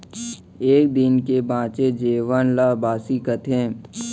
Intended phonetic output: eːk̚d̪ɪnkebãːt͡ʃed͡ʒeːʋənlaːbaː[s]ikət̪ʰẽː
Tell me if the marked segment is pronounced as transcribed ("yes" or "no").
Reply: yes